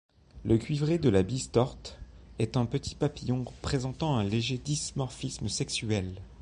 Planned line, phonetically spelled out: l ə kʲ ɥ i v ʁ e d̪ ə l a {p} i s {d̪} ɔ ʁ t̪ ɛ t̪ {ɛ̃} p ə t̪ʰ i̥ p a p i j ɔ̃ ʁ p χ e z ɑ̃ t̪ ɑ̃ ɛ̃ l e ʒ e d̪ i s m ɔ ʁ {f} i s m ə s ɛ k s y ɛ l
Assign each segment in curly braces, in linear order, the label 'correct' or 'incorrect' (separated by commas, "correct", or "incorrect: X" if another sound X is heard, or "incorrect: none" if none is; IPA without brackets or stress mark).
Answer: incorrect: b, incorrect: t̪, correct, correct